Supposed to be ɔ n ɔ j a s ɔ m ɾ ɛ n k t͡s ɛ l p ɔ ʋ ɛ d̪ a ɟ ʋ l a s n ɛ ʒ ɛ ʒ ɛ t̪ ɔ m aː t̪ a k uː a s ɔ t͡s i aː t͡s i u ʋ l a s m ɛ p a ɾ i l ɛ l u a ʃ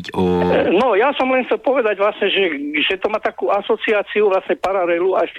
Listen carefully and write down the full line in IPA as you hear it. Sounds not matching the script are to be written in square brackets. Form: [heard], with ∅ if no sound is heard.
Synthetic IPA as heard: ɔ n ɔ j a s ɔ m [l] ɛ n [x] t͡s ɛ l p ɔ ʋ ɛ d̪ a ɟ ʋ l a s [ɲ] ɛ ʒ ɛ ʒ ɛ t̪ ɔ m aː t̪ a k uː a s ɔ t͡s i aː t͡s i u ʋ l a s [ɲ] ɛ p a ɾ [a] l ɛ l u a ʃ